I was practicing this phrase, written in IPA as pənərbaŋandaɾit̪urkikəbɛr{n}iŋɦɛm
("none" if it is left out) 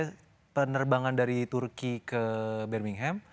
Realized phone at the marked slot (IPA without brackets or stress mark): m